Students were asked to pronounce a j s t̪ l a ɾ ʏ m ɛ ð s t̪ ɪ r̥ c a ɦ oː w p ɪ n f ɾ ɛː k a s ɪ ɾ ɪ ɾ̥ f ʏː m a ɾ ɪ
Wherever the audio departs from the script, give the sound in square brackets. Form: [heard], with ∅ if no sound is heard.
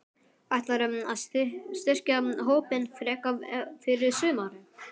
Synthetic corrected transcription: a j [h] t̪ l a ɾ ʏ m [a] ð s t̪ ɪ r̥ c a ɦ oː w p ɪ n f ɾ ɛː k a [f] ɪ ɾ ɪ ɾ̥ [s] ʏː m a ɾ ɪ